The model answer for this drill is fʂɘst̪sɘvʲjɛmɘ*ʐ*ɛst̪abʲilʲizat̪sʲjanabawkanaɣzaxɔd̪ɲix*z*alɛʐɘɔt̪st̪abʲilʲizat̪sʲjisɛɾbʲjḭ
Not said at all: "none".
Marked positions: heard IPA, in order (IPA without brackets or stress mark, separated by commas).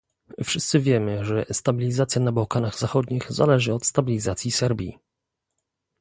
ʐ, z